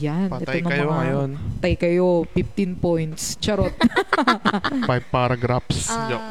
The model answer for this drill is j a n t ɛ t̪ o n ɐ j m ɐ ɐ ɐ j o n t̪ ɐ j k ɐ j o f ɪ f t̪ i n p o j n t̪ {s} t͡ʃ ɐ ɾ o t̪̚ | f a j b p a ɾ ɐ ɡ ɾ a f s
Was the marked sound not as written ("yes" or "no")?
no